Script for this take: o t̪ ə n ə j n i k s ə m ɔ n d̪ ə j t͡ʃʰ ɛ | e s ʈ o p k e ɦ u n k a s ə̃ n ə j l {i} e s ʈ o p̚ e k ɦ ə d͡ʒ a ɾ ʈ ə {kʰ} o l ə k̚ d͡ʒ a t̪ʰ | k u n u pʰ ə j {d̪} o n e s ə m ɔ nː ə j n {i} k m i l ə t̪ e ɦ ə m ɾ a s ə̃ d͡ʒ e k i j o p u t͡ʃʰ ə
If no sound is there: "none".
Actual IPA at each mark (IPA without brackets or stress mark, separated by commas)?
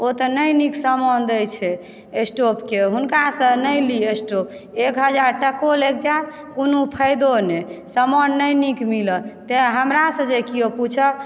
i, k, d̪, i